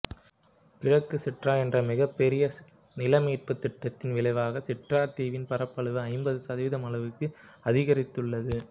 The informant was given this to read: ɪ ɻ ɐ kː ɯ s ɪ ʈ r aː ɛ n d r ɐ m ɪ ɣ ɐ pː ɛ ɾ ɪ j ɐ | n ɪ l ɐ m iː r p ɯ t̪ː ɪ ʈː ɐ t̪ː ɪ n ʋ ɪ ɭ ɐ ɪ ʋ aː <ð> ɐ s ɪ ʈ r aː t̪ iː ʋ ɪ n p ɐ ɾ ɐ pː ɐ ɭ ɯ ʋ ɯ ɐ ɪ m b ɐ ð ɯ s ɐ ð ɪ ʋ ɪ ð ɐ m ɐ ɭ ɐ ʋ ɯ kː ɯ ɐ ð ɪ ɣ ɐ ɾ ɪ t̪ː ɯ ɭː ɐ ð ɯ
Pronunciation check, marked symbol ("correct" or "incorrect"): incorrect